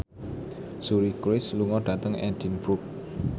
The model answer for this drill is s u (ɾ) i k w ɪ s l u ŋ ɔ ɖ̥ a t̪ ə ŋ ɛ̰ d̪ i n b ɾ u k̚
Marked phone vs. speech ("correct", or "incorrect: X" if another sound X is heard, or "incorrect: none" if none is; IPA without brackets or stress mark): correct